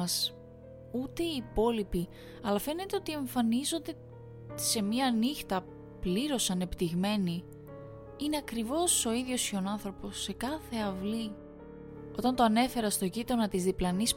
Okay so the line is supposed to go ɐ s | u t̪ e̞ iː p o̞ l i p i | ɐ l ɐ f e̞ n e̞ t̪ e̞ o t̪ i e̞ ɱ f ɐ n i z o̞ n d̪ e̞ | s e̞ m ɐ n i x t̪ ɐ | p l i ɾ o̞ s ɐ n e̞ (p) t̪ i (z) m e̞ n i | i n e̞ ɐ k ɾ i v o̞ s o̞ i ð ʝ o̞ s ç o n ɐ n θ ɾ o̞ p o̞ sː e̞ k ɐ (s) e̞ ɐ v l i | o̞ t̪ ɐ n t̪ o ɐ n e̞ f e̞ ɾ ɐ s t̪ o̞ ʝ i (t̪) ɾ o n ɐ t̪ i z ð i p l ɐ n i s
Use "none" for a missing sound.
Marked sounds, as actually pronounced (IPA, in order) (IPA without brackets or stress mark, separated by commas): p, ɣ, θ, t̪